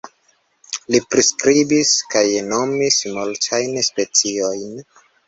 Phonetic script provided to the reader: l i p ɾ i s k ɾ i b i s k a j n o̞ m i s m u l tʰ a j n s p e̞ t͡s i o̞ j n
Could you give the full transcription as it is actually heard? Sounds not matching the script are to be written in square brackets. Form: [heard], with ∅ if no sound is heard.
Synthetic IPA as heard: l i p ɾ i s k ɾ i b i s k a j n o̞ m i s m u l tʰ a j n s p e̞ t͡s i o̞ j n